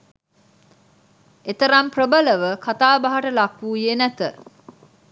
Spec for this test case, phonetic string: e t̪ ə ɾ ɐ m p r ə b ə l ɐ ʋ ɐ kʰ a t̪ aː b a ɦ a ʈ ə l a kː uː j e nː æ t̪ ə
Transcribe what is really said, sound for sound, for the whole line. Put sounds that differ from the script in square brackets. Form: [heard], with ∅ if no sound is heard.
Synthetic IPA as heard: e t̪ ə ɾ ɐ m p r ə b ə l [ə] ʋ [ə] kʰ a t̪ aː b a ɦ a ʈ ə l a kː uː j e [n] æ t̪ ə